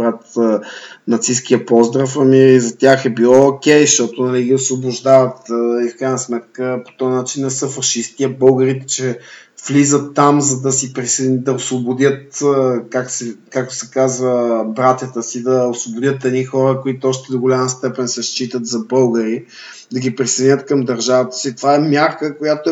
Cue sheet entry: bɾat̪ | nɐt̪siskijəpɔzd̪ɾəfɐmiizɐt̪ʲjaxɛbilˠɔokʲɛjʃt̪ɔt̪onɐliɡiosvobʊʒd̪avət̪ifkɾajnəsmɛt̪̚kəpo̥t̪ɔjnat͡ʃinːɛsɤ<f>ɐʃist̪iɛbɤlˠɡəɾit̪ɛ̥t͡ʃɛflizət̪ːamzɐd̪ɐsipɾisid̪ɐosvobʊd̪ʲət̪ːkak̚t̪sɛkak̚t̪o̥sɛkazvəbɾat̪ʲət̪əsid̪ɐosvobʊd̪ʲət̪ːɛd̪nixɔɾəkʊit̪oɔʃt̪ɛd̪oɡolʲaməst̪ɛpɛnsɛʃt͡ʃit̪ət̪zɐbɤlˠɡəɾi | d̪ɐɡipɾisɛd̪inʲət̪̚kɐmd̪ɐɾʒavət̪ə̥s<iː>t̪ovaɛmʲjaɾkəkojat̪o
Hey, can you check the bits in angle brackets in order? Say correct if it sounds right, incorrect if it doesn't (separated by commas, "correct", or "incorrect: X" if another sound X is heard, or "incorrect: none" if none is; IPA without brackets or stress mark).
correct, incorrect: i